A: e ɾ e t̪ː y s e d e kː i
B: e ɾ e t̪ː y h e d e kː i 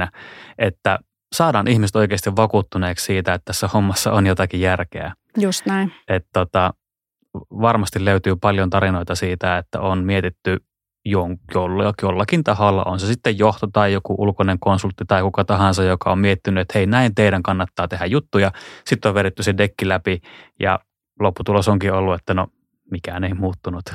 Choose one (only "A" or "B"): A